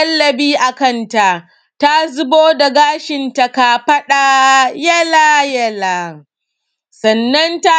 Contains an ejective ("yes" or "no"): no